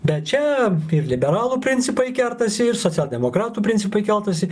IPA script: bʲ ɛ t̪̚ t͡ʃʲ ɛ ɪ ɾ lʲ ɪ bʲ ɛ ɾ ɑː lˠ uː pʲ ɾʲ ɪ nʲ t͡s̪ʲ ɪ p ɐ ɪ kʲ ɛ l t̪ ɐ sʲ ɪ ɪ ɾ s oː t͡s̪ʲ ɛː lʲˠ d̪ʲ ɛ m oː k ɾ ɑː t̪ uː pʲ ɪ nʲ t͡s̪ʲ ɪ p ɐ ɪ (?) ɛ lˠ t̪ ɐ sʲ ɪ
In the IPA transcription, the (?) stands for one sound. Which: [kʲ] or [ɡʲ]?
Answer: kʲ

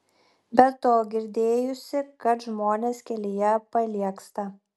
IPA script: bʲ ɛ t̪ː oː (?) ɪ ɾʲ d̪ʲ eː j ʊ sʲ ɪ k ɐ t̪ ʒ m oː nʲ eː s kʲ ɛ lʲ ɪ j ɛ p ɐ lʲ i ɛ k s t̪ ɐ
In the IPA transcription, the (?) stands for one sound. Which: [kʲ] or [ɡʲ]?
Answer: ɡʲ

